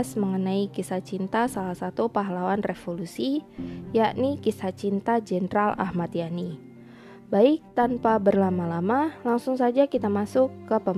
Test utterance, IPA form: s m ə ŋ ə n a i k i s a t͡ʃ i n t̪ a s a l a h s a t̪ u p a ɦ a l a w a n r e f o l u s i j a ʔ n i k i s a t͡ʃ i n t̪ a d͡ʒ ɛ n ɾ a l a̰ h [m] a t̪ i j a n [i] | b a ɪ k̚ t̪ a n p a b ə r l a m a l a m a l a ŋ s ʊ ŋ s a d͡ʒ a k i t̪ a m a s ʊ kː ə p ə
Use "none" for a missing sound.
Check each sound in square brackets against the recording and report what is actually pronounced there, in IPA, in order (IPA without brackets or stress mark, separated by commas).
m, i